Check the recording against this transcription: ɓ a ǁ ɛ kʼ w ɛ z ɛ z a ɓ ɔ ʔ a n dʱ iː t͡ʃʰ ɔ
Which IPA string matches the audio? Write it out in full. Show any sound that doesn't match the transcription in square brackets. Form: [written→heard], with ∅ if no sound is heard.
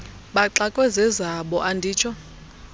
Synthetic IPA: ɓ a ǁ [ɛ→a] kʼ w ɛ z ɛ z a ɓ ɔ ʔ a n dʱ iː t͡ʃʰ ɔ